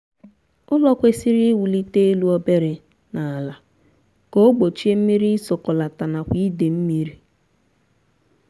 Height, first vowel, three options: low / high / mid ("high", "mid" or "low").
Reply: high